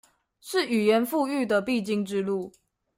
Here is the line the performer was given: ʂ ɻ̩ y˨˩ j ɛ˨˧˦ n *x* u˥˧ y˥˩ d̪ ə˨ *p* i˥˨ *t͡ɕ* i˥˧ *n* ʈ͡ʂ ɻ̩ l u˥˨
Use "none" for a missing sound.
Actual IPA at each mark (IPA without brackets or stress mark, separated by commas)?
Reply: f, p, t͡ɕ, ŋ